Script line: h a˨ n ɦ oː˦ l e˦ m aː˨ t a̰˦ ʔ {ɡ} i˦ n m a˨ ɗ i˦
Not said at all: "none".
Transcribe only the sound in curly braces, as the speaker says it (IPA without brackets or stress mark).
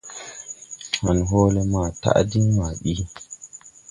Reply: d